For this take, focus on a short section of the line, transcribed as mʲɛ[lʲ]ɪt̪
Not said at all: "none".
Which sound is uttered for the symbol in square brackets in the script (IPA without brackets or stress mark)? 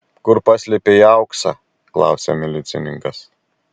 lʲ